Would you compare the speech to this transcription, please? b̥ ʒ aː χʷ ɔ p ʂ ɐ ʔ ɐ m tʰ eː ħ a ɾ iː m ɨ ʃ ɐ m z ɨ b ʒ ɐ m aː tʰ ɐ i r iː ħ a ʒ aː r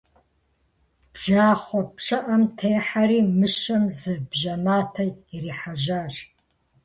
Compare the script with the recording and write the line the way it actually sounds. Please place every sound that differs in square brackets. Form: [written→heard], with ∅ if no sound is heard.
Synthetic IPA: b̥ ʒ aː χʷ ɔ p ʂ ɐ ʔ ɐ m tʰ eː ħ a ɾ iː m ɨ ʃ ɐ m z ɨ b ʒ ɐ m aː tʰ ɐ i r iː ħ a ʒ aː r